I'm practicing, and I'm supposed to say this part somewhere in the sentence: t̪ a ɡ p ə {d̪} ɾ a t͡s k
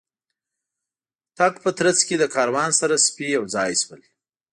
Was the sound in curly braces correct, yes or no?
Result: no